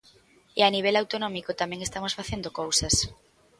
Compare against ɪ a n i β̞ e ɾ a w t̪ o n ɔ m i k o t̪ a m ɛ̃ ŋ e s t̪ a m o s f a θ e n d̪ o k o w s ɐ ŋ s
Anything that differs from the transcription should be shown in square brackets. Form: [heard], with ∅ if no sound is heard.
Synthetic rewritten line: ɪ a n i β̞ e [l] a w t̪ o n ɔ m i k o t̪ a m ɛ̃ ŋ e s t̪ a m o s f a θ e n d̪ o k o w s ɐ [∅] s